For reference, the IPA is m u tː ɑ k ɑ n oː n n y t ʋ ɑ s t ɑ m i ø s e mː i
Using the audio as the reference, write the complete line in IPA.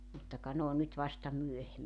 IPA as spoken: m u tː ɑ k ɑ n oː n n y t ʋ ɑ s t ɑ m y ø h e mː i